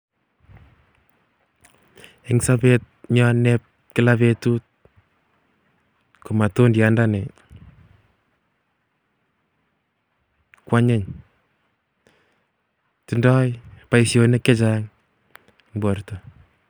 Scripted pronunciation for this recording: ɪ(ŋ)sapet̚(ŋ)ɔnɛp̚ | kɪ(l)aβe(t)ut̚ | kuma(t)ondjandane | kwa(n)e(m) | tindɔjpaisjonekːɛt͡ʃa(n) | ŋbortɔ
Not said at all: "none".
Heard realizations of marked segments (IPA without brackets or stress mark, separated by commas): ŋ, ɲ, l, t, t, ɲ, ɲ, ŋ